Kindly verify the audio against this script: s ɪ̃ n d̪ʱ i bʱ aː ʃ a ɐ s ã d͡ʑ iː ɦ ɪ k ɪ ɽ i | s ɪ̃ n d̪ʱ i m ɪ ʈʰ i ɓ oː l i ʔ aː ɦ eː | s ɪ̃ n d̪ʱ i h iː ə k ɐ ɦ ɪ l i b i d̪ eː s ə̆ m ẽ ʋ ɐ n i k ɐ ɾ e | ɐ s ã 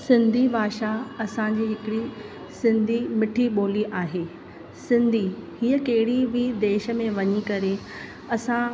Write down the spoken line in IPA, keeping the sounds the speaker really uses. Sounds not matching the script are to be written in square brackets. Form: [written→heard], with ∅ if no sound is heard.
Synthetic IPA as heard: s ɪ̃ n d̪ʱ i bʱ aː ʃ a ɐ s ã d͡ʑ iː ɦ ɪ k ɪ ɽ i | s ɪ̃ n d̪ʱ i m ɪ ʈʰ i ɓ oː l i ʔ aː ɦ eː | s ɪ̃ n d̪ʱ i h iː ə k ɐ ɦ ɪ [l→ɽ] i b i d̪ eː [s→ʃ] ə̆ m ẽ ʋ ɐ [n→ɲ] i k ɐ ɾ e | ɐ s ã

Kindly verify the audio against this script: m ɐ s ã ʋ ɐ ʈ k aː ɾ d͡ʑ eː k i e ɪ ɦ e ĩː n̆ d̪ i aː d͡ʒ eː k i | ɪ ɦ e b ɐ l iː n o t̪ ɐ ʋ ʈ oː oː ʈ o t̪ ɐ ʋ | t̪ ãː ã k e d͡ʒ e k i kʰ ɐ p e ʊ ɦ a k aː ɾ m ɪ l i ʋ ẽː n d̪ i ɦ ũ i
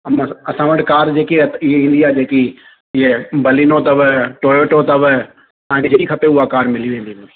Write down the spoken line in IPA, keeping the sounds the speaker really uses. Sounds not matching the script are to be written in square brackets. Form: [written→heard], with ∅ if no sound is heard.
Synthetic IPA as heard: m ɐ s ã ʋ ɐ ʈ k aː ɾ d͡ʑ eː k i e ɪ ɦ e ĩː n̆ d̪ i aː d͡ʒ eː k i | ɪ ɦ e b ɐ l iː n o t̪ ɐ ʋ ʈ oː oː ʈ o t̪ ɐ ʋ | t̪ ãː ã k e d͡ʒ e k i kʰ ɐ p e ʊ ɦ a k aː ɾ m ɪ l i ʋ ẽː n d̪ i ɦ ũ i

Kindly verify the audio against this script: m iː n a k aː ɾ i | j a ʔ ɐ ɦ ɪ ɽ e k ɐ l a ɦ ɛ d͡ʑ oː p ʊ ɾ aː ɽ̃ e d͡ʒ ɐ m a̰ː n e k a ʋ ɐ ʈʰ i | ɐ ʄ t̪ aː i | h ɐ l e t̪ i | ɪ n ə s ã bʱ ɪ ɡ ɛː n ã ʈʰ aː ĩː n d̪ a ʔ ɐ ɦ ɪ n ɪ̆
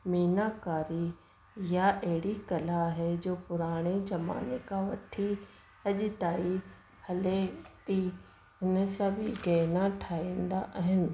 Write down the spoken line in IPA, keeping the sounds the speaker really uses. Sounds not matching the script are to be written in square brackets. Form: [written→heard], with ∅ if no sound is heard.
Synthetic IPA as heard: m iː n a k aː ɾ i | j a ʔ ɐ ɦ ɪ ɽ [e→i] k ɐ l a ɦ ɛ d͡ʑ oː p ʊ ɾ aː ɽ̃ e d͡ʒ ɐ m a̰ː n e k a ʋ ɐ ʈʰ i | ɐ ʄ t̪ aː i | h ɐ l e t̪ i | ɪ n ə s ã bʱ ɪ ɡ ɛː n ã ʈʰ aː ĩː n d̪ a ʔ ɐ ɦ ɪ n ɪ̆

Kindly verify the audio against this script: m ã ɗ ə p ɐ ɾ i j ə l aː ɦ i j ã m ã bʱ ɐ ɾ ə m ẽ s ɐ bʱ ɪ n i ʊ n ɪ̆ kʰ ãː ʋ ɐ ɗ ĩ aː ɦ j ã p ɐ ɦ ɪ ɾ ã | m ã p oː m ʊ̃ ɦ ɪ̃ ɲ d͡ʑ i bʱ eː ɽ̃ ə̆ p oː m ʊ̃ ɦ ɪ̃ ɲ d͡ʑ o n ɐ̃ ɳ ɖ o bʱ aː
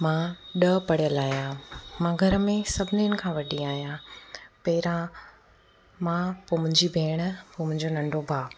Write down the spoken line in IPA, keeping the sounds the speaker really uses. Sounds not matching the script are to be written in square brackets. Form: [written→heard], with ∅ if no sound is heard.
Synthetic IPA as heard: m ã ɗ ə p ɐ [ɾ→ɽ] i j ə l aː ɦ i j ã m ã [bʱ→ɡʱ] ɐ ɾ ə m ẽ s ɐ bʱ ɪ n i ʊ n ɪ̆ kʰ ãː ʋ ɐ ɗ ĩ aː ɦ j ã p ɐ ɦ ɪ ɾ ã | m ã p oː m ʊ̃ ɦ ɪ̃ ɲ d͡ʑ i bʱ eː ɽ̃ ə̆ p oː m ʊ̃ ɦ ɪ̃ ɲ d͡ʑ o n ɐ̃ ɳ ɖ o bʱ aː

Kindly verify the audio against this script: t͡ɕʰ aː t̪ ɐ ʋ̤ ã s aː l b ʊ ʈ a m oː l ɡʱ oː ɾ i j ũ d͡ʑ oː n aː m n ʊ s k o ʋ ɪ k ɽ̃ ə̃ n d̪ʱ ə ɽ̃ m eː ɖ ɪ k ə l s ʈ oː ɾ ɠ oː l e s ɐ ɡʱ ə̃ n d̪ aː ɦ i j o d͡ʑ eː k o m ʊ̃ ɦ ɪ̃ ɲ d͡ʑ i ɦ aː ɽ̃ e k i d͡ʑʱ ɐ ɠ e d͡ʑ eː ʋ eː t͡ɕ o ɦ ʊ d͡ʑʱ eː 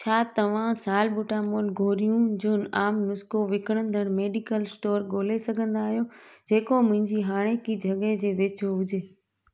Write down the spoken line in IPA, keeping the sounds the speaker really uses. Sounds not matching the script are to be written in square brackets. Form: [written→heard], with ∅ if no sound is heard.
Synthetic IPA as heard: t͡ɕʰ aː t̪ ɐ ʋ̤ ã s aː l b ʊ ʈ a m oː l ɡʱ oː ɾ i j ũ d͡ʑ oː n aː m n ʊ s k o ʋ ɪ k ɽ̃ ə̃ n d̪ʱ ə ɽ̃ m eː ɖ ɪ k ə l s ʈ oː ɾ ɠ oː l e s ɐ ɡʱ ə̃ n d̪ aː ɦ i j o d͡ʑ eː k o m ʊ̃ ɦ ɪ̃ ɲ d͡ʑ i ɦ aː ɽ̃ e k i d͡ʑʱ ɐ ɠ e d͡ʑ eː ʋ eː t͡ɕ o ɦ ʊ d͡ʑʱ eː

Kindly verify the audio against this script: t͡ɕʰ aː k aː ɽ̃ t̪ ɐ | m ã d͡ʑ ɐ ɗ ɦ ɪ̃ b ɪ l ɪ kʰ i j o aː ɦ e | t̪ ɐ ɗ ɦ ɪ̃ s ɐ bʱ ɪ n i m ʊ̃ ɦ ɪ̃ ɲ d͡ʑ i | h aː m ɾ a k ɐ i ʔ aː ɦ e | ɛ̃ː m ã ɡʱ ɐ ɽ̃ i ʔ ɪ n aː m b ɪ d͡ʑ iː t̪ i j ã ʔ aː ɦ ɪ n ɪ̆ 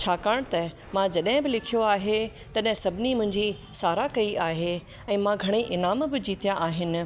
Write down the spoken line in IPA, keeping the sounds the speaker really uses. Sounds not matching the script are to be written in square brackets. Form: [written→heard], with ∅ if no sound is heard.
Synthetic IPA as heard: t͡ɕʰ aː k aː ɽ̃ t̪ ɐ | m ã d͡ʑ ɐ ɗ ɦ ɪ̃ b ɪ l ɪ kʰ i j o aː ɦ e | t̪ ɐ ɗ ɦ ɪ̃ s ɐ bʱ ɪ n i m ʊ̃ ɦ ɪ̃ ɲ d͡ʑ i | [h→s] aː [m→∅] ɾ a k ɐ i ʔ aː ɦ e | ɛ̃ː m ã ɡʱ ɐ ɽ̃ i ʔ ɪ n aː m b ɪ d͡ʑ iː t̪ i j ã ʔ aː ɦ ɪ n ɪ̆

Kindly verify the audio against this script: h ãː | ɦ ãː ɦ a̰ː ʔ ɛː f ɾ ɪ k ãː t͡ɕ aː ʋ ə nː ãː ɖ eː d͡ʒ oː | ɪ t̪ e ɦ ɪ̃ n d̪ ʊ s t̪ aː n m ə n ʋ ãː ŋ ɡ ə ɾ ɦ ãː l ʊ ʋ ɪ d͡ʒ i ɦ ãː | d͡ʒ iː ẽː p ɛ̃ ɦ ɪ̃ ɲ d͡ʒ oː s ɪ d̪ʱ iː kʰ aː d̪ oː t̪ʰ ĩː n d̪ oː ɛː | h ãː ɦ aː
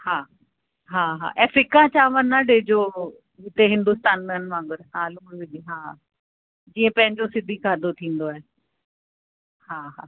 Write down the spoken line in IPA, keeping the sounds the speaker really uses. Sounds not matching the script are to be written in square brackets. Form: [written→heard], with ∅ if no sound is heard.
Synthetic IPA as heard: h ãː | ɦ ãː ɦ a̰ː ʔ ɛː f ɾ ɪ k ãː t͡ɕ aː ʋ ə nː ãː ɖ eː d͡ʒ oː | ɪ t̪ e ɦ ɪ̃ n d̪ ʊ s t̪ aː n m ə n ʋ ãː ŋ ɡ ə ɾ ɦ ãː l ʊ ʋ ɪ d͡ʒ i ɦ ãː | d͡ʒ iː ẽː p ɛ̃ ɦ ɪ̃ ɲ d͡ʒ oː s ɪ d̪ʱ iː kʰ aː d̪ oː t̪ʰ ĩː n d̪ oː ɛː | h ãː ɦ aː

